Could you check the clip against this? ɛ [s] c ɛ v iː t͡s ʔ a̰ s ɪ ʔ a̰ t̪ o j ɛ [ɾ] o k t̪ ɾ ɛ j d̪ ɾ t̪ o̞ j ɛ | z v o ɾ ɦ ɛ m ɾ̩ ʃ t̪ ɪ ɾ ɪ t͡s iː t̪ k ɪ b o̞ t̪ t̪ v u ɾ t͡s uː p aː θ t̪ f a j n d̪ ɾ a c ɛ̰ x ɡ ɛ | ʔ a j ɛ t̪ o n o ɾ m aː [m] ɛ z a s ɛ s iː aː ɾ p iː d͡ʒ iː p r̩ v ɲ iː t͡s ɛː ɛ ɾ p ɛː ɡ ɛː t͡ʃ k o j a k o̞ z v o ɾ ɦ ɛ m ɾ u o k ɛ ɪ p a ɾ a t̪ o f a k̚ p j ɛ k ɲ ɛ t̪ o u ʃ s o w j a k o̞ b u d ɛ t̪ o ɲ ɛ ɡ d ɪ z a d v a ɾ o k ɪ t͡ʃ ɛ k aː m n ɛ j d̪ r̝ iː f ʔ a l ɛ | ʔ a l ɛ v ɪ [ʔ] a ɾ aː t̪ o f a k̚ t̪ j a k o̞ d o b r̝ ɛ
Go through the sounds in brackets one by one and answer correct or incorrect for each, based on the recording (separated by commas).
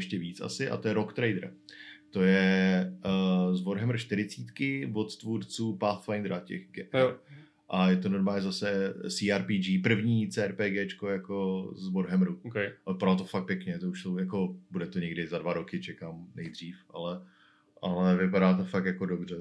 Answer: incorrect, correct, incorrect, incorrect